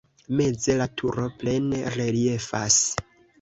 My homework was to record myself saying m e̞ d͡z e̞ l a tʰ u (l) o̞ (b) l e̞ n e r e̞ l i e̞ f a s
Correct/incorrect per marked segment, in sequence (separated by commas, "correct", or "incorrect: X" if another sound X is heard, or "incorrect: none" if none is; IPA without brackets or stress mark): incorrect: ɾ, incorrect: p